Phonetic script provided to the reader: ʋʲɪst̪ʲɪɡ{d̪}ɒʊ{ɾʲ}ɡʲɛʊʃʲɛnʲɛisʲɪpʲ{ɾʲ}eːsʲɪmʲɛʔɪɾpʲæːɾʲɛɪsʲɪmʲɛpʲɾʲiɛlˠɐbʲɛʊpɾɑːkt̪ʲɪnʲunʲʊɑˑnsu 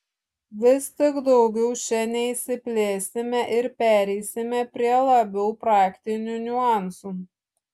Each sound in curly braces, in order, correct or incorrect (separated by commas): correct, incorrect, incorrect